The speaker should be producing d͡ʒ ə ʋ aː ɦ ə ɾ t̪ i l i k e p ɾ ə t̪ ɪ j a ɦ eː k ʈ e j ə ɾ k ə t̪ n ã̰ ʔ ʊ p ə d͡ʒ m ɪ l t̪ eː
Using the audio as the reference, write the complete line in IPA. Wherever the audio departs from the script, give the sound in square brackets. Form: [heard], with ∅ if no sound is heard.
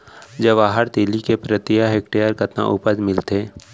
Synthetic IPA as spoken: d͡ʒ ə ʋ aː ɦ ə ɾ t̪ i l i k e p ɾ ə t̪ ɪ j a ɦ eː k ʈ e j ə ɾ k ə t̪ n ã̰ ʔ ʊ p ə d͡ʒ m ɪ l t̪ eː